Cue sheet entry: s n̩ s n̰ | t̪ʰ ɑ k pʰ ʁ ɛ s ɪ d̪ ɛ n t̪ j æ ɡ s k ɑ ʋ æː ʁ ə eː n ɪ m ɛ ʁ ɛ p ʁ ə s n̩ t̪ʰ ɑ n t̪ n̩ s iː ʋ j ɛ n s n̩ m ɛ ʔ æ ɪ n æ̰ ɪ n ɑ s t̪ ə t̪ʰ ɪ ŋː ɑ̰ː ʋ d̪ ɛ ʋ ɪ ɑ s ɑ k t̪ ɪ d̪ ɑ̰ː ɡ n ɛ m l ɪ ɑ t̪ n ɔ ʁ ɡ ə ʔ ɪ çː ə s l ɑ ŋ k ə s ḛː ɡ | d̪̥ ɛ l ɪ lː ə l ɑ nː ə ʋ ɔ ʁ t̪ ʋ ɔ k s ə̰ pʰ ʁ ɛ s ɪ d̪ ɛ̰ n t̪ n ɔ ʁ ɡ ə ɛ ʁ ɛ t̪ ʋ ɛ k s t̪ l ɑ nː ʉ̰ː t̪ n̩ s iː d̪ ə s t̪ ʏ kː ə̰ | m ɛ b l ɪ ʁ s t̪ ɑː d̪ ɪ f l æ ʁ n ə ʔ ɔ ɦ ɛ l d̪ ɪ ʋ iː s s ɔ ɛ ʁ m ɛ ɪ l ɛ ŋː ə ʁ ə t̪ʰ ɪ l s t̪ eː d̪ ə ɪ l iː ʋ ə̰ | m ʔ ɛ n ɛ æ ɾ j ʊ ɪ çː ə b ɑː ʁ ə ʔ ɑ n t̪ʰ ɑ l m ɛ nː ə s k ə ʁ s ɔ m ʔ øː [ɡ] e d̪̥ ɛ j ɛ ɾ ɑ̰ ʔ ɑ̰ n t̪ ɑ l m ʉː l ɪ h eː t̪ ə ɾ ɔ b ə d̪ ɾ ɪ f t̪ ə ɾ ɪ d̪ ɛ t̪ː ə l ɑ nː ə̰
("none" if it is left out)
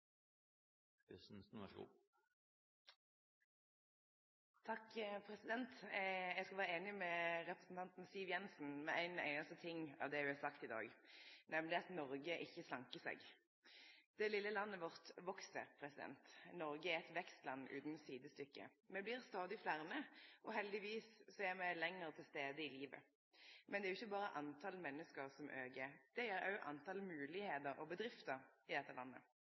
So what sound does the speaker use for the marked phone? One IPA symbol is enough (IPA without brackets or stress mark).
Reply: ɡ